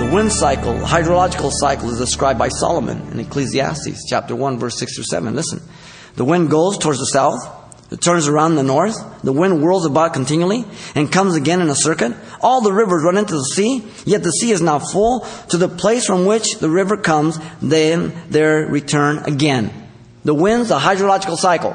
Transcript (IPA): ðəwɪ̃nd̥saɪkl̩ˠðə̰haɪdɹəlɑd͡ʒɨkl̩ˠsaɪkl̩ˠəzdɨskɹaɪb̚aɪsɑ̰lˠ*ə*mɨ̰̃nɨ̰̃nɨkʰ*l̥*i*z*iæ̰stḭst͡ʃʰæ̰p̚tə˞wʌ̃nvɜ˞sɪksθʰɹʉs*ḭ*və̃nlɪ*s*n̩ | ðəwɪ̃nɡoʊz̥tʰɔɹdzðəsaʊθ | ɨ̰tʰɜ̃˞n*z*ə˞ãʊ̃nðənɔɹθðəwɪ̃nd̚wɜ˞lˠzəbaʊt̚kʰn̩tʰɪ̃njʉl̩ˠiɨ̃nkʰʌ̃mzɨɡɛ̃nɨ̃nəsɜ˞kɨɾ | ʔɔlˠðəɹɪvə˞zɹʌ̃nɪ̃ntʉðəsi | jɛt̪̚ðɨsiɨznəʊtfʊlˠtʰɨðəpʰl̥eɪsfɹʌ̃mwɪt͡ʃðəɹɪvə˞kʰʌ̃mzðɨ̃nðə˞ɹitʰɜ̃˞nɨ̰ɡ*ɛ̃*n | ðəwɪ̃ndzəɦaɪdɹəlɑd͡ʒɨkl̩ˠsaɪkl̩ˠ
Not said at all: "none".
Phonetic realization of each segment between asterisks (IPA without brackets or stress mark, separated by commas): ə, l̥, z, ɛ̰, s, z, ɛ̃